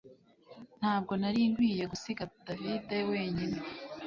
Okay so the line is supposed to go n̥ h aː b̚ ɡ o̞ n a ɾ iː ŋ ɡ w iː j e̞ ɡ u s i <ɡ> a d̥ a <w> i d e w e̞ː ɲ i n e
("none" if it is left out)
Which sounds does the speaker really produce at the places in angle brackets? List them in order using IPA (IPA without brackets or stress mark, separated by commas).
ɡ, v